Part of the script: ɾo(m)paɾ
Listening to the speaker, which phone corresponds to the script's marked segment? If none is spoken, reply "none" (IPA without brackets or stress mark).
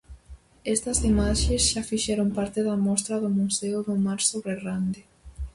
m